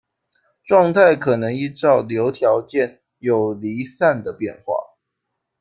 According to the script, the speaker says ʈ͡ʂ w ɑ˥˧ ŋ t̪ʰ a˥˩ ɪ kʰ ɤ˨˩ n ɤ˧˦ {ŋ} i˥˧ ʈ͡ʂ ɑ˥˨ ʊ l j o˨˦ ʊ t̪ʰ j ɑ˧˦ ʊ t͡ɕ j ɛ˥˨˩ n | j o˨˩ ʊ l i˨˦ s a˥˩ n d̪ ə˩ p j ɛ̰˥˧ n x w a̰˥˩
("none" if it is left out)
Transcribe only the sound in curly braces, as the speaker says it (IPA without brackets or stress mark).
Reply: ŋ